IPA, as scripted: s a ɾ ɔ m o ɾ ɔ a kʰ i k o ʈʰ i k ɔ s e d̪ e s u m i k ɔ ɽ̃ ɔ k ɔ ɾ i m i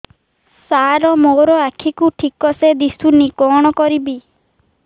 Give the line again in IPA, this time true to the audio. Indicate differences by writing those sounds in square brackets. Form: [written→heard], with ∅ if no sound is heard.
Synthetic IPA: s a ɾ ɔ m o ɾ ɔ a kʰ i k [o→u] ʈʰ i k ɔ s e d̪ [e→i] s u [m→n] i k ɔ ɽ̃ ɔ k ɔ ɾ i [m→b] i